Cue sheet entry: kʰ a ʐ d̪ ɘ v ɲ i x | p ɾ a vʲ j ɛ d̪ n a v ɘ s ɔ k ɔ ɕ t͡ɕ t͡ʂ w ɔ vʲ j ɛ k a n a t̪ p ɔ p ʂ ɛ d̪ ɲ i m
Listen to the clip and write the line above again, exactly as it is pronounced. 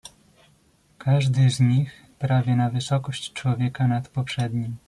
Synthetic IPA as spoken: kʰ a ʐ d̪ ɘ z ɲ i x | p ɾ a vʲ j ɛ n a v ɘ s ɔ k ɔ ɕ t͡ɕ t͡ʂ w ɔ vʲ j ɛ k a n a t̪ p ɔ p ʂ ɛ d̪ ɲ i m

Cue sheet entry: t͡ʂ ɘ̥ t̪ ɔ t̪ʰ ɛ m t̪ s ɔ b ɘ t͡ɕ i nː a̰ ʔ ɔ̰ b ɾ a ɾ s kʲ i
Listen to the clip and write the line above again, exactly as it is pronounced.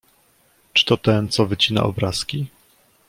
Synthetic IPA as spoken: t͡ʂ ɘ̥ t̪ ɔ t̪ ɛ n t̪ s ɔ v ɘ t͡ɕ i n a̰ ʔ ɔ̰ b ɾ a s kʲ i

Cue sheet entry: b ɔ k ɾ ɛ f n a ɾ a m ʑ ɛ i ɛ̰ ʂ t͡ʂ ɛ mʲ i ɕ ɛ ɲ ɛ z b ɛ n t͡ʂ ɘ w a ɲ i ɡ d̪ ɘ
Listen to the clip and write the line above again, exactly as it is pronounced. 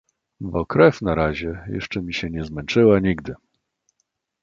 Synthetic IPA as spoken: b ɔ k ɾ ɛ f n a ɾ a ʑ ɛ j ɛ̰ ʂ t͡ʂ ɛ mʲ i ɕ ɛ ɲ ɛ z m ɛ n t͡ʂ ɘ w a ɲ i ɡ d̪ ɘ

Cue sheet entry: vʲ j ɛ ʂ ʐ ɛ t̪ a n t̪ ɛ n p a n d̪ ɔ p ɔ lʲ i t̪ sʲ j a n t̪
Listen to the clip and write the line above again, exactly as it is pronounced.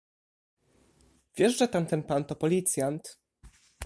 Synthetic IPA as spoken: vʲ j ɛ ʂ ʐ ɛ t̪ a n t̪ ɛ n p a n t̪ ɔ p ɔ lʲ i t̪ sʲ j a n t̪

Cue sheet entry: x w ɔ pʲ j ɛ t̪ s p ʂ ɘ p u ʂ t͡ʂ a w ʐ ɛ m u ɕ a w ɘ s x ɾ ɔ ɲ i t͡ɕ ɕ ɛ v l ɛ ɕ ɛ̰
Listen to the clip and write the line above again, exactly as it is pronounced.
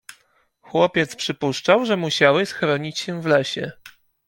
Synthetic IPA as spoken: x w ɔ pʲ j ɛ t̪ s p ʂ ɘ p u ʂ t͡ʂ a w ʐ ɛ m u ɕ a w ɘ s x ɾ ɔ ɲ i t͡ɕ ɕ ɛ v l ɛ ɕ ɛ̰

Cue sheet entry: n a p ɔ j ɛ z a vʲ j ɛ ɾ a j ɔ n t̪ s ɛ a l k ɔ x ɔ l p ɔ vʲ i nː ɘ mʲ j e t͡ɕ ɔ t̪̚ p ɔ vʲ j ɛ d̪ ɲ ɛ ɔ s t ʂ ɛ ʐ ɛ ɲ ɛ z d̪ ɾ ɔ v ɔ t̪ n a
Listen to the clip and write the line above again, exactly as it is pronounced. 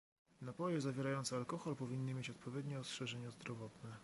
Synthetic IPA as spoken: n a p ɔ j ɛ z a vʲ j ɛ ɾ a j ɔ n t̪ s ɛ a l k ɔ x ɔ l p ɔ vʲ i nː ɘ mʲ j e t͡ɕ ɔ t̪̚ p ɔ vʲ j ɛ d̪ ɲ ɛ ɔ s t ʂ ɛ ʐ ɛ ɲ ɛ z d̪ ɾ ɔ v ɔ t̪ n ɛ

